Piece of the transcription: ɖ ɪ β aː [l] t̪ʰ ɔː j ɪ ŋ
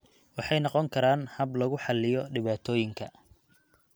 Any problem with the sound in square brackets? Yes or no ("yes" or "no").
yes